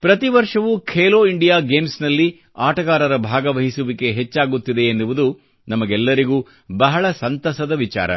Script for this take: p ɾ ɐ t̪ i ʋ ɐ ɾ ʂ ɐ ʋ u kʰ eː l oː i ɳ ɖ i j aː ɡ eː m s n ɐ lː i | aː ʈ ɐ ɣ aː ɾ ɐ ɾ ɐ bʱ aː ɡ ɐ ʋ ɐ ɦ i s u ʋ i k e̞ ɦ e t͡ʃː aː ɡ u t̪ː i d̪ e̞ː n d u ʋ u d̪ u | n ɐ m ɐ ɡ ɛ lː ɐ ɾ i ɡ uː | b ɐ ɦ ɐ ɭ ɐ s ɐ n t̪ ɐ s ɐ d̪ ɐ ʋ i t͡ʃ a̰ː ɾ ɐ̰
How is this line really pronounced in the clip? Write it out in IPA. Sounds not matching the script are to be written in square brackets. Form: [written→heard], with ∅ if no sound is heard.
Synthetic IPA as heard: p ɾ ɐ t̪ i ʋ ɐ ɾ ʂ ɐ ʋ u kʰ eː l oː i ɳ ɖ i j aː ɡ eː m s n ɐ lː i | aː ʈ ɐ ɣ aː ɾ ɐ ɾ ɐ bʱ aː ɡ ɐ ʋ ɐ ɦ i s u ʋ i k e̞ ɦ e t͡ʃː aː ɡ u t̪ː i d̪ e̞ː n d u ʋ u d̪ u | n ɐ m ɐ ɡ ɛ lː ɐ ɾ i ɡ uː | b ɐ ɦ ɐ ɭ ɐ s ɐ n t̪ ɐ s ɐ d̪ ɐ ʋ i t͡ʃ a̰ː ɾ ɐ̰